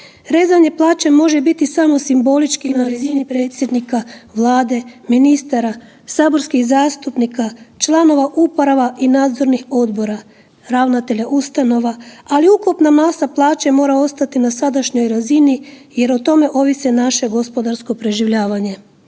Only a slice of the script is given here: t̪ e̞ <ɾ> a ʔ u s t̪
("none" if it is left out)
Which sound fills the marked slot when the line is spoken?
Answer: ʎ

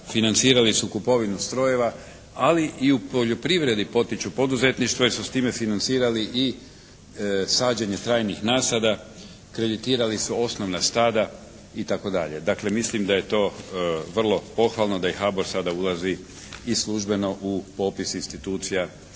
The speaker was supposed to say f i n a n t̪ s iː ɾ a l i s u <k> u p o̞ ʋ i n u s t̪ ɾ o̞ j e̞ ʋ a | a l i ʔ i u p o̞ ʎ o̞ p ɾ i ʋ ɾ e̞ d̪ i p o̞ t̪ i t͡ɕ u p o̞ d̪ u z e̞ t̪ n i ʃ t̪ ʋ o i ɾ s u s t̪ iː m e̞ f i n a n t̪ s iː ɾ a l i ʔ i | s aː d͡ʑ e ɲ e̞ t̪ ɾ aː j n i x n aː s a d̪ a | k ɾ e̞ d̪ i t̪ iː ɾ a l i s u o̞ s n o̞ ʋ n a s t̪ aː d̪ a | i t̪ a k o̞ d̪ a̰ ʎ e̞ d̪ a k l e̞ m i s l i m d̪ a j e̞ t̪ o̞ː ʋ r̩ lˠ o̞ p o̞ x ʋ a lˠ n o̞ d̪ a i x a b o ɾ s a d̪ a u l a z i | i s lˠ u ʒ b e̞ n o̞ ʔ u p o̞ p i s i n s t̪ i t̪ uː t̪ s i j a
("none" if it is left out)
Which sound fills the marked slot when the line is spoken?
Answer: k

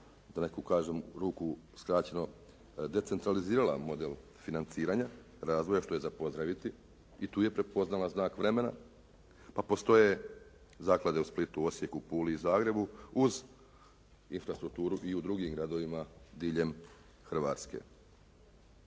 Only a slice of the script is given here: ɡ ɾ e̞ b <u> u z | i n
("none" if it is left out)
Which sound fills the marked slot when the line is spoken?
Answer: u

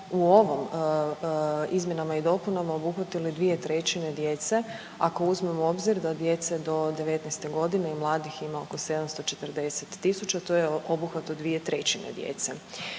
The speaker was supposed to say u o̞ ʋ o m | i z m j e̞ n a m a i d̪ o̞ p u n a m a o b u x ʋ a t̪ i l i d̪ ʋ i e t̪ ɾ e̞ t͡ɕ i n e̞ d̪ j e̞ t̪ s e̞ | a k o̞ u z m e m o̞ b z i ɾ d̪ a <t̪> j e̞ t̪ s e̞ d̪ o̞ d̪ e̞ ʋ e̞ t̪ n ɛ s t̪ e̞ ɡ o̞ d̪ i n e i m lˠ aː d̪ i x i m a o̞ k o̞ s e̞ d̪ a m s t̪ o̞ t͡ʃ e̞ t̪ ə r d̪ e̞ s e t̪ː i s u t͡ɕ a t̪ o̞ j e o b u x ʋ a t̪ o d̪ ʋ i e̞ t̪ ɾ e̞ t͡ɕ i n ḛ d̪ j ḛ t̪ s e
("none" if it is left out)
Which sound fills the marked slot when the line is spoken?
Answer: d̪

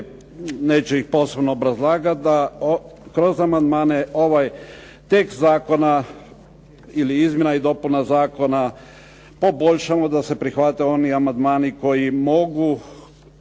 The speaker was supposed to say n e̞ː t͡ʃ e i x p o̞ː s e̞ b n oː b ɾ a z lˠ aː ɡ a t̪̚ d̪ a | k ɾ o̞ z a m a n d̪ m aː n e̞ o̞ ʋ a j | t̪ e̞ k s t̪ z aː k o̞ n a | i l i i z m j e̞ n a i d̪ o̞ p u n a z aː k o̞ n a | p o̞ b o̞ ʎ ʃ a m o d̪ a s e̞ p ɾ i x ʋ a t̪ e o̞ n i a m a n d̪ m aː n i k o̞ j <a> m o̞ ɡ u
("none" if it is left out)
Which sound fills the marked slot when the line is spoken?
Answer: i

